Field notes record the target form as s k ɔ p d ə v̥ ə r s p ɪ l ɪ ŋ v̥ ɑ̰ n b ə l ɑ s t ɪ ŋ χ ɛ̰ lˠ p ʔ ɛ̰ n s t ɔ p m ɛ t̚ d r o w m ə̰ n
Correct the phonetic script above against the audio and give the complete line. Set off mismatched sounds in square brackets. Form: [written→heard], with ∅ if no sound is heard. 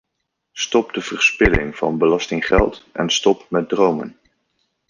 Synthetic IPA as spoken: s [k→t] ɔ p d ə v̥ ə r s p ɪ l ɪ ŋ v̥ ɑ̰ n b ə l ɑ s t ɪ ŋ χ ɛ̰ lˠ [p→t] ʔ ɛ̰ n s t ɔ p m ɛ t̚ d r o w m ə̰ n